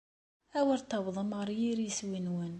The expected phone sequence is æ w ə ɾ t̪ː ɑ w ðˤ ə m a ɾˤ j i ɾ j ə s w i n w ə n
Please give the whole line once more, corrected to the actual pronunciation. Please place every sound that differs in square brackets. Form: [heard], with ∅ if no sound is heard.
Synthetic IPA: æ w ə ɾ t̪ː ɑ w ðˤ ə m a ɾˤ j i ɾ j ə s w i n w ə n